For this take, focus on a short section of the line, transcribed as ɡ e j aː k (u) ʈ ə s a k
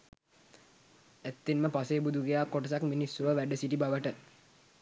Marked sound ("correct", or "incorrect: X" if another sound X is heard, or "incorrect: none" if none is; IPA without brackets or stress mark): incorrect: o